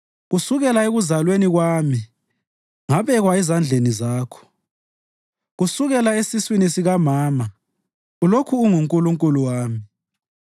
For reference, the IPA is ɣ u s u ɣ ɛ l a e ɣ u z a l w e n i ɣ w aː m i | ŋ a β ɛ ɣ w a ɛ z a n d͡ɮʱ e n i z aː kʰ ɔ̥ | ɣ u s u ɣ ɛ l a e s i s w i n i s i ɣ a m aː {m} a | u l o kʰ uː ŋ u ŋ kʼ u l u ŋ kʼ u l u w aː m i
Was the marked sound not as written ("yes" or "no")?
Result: no